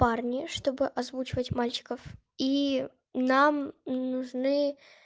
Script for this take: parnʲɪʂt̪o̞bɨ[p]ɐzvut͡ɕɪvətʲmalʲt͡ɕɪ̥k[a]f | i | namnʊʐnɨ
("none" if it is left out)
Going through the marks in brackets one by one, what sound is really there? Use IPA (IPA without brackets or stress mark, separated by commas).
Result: ʔ, ə